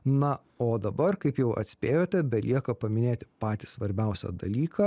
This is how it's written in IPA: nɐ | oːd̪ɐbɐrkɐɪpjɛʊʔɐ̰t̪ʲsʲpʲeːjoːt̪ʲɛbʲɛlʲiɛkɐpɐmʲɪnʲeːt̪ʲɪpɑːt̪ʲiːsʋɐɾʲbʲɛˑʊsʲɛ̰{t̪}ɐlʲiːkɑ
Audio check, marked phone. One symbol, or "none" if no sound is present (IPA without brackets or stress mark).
d̪